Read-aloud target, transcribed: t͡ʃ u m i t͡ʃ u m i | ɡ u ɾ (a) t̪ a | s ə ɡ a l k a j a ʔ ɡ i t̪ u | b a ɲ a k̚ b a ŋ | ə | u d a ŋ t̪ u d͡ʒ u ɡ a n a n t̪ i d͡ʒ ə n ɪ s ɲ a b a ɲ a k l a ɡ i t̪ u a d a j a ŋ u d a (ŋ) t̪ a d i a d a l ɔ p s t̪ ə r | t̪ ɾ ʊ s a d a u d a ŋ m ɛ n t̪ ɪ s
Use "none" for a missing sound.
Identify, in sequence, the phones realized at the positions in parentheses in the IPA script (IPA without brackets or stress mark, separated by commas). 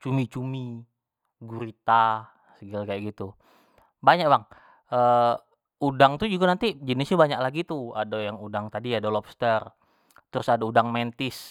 i, ŋ